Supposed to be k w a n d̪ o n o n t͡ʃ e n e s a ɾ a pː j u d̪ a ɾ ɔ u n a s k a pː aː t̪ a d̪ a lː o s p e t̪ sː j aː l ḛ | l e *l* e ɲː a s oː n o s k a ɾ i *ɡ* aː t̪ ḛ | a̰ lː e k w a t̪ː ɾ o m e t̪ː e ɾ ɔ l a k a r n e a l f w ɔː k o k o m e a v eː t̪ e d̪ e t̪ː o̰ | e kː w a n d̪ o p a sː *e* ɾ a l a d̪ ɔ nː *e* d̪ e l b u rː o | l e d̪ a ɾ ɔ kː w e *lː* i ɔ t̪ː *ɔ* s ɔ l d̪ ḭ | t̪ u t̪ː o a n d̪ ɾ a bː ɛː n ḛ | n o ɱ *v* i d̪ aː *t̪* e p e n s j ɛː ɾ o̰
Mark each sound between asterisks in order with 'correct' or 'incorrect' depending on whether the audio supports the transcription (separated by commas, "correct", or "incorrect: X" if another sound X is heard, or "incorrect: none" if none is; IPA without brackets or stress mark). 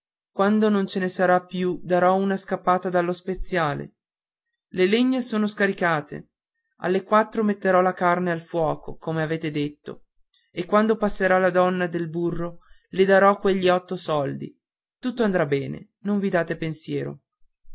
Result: correct, incorrect: k, correct, incorrect: a, incorrect: ʎː, incorrect: o, correct, correct